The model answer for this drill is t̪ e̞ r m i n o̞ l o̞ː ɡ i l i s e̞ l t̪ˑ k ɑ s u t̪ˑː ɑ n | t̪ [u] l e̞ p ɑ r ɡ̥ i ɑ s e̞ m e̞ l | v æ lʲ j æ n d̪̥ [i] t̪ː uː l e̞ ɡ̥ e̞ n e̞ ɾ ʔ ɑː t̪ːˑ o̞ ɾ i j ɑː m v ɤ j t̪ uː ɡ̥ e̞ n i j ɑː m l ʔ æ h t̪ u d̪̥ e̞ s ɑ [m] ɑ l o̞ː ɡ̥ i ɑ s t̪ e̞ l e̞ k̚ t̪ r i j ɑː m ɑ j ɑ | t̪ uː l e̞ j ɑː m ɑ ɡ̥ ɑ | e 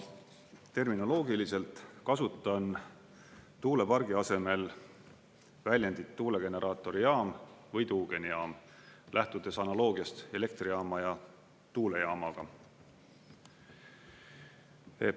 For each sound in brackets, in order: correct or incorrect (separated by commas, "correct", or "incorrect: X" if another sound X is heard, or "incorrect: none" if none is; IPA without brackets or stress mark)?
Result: incorrect: uː, correct, incorrect: n